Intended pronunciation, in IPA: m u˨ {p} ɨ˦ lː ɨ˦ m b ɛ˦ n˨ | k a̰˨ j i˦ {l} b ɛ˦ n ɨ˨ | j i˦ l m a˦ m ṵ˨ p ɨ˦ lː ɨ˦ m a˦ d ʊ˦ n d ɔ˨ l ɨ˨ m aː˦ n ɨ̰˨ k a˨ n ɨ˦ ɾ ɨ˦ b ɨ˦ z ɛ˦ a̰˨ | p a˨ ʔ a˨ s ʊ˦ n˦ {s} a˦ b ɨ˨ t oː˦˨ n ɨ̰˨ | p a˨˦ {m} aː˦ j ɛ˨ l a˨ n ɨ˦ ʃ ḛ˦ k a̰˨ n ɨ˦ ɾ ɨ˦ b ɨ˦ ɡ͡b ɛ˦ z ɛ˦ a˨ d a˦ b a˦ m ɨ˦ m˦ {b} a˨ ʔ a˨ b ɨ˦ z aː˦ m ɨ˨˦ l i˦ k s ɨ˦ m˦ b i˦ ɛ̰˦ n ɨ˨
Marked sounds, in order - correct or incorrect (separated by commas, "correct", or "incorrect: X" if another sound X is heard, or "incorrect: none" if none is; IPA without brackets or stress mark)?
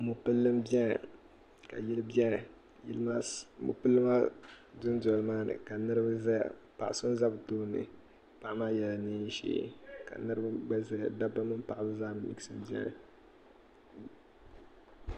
correct, correct, incorrect: z, correct, incorrect: p